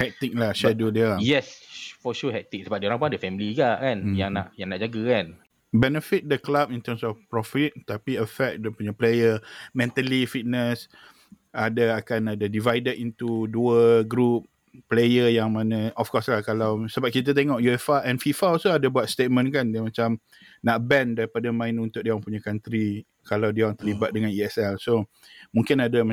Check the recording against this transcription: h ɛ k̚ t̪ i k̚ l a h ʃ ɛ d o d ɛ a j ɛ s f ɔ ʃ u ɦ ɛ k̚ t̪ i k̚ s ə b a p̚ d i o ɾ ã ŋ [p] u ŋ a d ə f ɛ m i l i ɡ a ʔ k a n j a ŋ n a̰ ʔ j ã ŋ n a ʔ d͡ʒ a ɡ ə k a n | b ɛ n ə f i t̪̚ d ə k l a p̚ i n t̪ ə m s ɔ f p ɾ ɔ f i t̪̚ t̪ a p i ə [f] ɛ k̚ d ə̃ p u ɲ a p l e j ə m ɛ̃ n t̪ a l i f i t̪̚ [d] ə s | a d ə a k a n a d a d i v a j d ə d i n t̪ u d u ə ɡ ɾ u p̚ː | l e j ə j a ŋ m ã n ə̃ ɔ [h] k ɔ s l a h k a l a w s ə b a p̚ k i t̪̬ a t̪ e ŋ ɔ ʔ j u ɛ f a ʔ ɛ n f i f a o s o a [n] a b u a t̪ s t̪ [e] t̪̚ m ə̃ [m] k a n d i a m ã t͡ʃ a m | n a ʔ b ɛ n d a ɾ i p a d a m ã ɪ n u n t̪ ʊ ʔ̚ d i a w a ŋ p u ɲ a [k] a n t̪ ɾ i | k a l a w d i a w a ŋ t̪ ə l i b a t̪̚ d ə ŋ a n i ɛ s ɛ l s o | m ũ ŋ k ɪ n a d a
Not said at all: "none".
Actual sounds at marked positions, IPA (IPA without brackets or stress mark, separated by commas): p, f, n, f, d, e, n, k